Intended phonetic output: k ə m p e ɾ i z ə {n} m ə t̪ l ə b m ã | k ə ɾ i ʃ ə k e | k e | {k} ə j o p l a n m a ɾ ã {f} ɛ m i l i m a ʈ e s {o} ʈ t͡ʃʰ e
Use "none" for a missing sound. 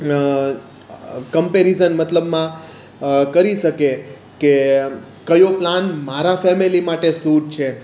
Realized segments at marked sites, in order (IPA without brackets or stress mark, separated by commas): n, k, f, u